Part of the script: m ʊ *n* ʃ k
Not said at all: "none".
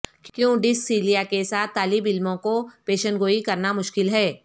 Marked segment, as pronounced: none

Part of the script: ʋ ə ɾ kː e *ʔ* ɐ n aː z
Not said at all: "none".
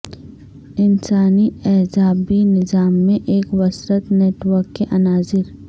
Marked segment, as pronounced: ʔ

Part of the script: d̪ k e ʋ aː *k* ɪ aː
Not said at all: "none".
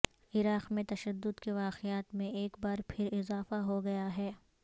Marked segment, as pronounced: q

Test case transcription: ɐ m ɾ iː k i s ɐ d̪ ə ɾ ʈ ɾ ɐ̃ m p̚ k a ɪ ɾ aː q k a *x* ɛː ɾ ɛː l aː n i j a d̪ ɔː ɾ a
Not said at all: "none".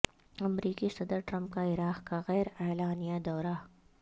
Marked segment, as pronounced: ɣ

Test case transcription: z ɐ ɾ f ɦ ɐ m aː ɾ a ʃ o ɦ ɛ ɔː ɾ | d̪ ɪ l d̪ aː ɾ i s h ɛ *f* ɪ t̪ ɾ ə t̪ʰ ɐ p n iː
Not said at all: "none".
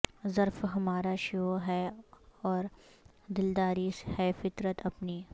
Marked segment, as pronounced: f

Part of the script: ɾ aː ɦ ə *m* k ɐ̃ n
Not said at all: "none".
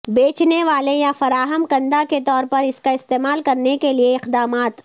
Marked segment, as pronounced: m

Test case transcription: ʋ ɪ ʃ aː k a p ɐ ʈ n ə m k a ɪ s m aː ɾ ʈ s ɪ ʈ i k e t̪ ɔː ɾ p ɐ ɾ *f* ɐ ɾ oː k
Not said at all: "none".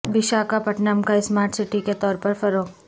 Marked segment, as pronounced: f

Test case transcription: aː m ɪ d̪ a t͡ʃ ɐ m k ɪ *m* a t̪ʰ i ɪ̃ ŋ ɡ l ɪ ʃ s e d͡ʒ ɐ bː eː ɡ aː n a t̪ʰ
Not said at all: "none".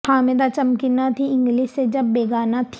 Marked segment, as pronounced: n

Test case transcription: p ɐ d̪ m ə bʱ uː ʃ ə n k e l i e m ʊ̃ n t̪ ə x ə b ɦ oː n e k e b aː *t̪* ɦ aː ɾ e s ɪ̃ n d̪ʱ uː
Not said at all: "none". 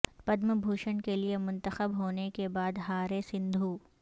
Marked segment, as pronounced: d̪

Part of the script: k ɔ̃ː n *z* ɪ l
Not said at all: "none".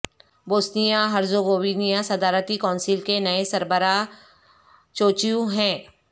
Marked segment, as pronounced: s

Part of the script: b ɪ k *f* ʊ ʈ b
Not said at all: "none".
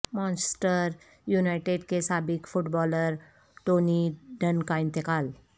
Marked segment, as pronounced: f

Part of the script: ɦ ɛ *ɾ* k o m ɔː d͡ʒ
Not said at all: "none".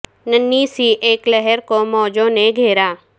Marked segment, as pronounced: ɾ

